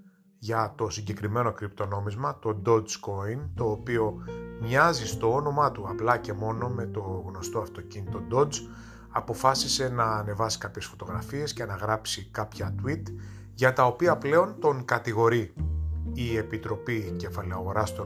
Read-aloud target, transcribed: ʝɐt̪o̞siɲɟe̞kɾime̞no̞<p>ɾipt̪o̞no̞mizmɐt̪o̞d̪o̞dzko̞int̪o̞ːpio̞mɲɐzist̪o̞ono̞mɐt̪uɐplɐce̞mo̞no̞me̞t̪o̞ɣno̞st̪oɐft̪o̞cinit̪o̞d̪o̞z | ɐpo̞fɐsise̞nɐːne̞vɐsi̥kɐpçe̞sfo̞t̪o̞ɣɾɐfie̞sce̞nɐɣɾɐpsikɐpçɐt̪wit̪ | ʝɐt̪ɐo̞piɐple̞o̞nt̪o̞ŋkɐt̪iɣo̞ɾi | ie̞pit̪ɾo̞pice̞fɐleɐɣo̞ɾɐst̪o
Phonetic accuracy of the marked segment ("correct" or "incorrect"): incorrect